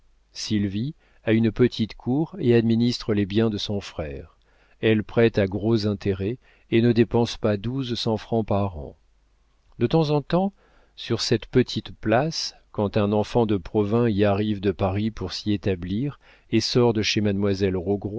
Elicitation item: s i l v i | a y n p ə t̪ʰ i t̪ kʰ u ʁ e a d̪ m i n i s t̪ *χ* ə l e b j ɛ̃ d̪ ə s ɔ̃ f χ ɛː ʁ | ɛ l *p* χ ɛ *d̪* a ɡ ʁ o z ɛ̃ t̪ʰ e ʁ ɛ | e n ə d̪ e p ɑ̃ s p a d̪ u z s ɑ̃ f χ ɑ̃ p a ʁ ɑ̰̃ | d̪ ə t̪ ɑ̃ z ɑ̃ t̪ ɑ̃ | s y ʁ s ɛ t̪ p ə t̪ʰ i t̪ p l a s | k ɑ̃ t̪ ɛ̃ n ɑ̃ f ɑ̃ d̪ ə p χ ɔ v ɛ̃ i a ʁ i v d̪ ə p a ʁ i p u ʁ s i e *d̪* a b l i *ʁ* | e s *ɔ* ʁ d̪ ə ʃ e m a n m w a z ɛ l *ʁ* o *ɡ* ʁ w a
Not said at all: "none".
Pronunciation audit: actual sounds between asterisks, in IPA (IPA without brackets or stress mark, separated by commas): χ, p, t̪, t̪, ʁ, ɔ, ʁ, ɡ